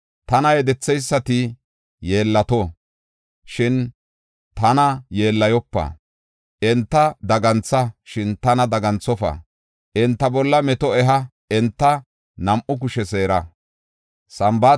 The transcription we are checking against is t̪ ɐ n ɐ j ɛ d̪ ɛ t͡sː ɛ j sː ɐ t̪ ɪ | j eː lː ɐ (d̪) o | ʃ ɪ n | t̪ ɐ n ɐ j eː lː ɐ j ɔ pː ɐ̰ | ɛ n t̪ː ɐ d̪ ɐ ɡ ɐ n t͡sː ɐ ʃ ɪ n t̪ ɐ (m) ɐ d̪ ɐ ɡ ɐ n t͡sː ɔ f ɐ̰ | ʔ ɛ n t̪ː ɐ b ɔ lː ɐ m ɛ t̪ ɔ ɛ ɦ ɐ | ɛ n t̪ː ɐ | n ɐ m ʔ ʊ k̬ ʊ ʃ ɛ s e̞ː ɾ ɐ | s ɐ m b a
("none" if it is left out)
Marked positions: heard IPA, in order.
t̪, n

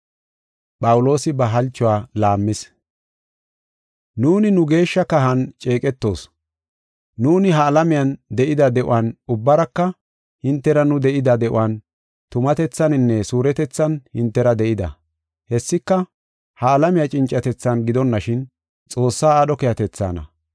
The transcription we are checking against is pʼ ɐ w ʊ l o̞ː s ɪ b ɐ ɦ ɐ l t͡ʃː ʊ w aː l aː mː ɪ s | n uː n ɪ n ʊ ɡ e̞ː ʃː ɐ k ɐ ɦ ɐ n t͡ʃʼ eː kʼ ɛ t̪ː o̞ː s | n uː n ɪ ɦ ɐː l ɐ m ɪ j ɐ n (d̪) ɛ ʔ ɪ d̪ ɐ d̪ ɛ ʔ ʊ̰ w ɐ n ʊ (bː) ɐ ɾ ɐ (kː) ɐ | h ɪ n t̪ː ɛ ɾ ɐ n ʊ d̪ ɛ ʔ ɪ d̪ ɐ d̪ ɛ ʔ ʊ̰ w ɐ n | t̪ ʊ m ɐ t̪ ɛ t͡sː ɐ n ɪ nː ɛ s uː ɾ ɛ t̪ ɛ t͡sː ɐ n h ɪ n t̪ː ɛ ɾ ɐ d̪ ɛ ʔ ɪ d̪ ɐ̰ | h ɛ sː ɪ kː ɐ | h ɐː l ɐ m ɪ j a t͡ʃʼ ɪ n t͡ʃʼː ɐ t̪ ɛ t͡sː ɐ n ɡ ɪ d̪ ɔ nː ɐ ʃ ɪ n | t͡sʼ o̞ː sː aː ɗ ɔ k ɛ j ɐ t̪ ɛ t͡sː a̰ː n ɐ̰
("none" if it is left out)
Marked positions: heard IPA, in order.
d̪, bː, kː

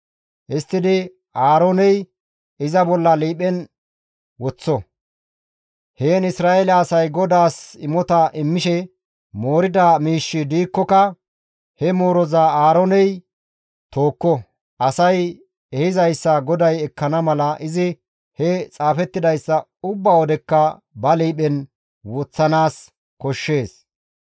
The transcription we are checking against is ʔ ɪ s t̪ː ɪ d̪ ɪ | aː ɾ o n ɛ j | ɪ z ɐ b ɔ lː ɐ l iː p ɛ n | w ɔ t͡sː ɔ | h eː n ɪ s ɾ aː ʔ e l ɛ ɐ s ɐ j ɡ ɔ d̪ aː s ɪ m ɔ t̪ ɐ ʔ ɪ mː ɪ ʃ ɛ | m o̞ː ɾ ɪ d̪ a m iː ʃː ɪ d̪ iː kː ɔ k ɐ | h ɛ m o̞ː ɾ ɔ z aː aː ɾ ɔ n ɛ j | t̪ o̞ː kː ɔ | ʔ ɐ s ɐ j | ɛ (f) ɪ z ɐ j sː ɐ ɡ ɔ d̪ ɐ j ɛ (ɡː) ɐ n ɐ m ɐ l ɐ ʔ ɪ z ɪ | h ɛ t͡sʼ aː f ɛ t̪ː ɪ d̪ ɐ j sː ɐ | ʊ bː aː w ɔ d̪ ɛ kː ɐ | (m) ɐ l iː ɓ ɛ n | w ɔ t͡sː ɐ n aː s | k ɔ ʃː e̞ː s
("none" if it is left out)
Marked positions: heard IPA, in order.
h, kː, b

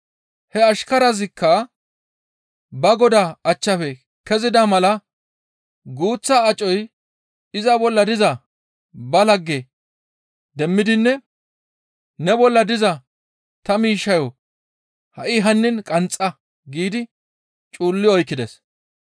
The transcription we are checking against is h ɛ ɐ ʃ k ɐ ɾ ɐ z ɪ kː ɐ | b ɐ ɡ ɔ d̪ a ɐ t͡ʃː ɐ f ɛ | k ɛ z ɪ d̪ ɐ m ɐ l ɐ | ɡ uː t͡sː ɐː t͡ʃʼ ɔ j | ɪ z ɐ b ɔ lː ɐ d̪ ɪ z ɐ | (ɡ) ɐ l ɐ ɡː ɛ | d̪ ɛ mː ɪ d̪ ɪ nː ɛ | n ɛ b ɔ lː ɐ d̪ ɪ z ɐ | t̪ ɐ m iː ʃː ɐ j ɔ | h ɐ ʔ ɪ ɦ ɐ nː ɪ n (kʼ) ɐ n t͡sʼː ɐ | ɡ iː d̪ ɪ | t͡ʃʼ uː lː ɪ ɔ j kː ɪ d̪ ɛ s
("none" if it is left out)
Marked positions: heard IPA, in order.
b, kʼ

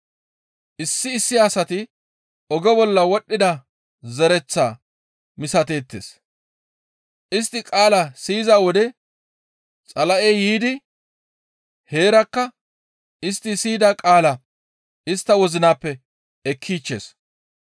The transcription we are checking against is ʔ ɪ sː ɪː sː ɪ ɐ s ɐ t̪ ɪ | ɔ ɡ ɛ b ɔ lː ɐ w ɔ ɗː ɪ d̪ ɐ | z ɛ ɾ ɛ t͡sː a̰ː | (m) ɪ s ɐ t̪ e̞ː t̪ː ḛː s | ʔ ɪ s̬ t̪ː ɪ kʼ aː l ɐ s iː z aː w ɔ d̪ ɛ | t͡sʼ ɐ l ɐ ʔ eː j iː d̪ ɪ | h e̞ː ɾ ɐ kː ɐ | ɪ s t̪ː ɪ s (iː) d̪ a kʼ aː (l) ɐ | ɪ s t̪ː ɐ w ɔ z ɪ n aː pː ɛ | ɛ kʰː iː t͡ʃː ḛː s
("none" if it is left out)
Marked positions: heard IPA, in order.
m, iː, l

